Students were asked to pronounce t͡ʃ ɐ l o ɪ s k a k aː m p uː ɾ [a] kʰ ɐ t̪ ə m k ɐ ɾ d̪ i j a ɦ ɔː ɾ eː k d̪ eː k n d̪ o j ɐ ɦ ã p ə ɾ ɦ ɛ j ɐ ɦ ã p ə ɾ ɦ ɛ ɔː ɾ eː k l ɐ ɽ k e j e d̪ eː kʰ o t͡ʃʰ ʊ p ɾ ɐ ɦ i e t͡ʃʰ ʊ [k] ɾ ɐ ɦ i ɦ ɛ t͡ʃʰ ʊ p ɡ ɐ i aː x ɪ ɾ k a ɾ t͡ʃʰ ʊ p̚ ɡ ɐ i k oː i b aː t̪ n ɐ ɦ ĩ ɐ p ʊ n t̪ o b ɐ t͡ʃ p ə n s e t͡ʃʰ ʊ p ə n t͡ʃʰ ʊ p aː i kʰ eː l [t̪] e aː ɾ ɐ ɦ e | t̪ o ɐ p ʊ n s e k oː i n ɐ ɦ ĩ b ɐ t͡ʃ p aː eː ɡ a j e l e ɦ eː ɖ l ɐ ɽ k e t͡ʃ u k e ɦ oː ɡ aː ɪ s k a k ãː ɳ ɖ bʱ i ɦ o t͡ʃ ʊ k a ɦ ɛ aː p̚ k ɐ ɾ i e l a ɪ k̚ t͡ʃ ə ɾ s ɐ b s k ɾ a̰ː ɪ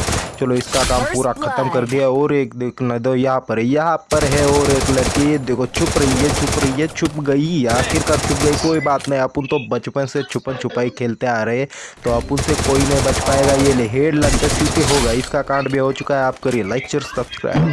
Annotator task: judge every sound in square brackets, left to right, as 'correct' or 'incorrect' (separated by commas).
correct, incorrect, correct